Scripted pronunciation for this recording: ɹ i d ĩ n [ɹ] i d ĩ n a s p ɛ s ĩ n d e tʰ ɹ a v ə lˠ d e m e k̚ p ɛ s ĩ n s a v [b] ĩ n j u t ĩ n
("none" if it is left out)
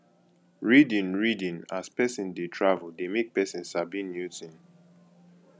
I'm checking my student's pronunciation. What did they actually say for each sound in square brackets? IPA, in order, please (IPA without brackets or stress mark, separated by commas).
ɹ, b